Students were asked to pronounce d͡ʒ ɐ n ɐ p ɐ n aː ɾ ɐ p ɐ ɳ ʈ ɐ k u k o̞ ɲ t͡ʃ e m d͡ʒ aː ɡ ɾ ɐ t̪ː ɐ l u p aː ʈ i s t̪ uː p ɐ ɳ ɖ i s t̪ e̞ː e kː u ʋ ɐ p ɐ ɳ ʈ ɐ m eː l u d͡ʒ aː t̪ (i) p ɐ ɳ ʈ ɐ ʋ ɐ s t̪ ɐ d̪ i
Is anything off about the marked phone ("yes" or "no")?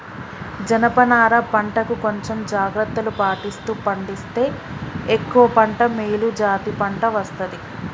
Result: no